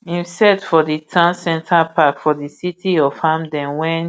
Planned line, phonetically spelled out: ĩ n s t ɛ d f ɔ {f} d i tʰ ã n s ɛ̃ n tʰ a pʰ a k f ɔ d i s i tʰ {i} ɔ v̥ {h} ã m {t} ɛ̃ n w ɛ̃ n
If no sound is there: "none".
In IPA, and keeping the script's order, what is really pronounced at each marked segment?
none, i, h, d

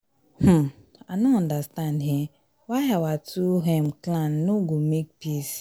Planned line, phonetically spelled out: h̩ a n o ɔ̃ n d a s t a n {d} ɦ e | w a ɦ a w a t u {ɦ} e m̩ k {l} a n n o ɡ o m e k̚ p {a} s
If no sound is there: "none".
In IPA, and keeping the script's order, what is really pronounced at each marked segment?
d, ɦ, l, i

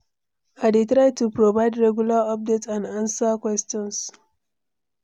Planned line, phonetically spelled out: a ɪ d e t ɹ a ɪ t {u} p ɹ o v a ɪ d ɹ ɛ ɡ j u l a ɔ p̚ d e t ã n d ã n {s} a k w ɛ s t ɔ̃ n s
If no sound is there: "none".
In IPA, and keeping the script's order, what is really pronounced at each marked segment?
u, s

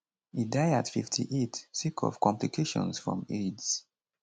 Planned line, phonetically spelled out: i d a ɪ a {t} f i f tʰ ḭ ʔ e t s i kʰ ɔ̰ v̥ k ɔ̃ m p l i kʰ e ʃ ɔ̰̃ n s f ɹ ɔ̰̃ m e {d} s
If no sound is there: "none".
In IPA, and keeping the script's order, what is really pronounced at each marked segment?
t, d

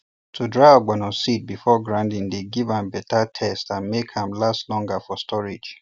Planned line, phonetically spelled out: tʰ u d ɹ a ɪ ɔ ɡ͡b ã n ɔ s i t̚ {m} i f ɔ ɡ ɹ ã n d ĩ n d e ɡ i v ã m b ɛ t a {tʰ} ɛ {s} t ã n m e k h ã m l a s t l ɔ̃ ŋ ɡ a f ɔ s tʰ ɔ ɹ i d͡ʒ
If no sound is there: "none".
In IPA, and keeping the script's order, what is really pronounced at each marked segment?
b, tʰ, s

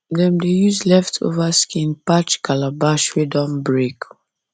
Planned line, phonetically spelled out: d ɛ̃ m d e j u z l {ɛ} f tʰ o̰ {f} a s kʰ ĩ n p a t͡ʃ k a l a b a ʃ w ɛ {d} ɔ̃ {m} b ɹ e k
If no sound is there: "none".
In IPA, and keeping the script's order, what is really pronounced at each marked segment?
ɛ, v, d, m

